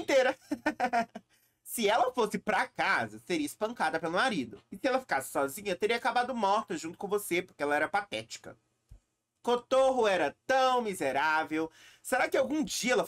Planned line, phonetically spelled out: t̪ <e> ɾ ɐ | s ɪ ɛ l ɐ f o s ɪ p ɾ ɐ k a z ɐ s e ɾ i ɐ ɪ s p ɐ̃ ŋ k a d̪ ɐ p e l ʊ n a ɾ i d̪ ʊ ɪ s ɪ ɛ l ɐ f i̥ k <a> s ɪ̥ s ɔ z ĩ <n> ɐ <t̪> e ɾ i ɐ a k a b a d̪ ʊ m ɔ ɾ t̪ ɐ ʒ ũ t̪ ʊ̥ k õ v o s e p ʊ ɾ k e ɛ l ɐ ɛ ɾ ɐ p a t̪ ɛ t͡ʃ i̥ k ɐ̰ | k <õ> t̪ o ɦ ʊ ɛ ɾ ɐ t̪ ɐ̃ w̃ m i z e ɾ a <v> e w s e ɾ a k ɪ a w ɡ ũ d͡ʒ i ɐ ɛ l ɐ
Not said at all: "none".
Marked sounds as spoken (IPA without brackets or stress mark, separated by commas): e, a, ɲ, t̪, o, v